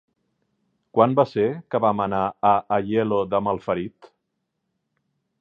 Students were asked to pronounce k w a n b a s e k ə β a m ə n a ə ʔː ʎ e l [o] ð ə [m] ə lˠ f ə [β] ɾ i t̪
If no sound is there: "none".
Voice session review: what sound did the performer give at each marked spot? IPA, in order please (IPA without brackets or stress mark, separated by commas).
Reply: o, m, none